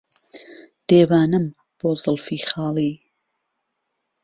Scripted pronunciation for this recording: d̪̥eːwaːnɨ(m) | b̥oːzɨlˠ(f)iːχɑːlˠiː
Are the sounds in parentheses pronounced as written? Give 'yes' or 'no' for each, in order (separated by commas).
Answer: yes, yes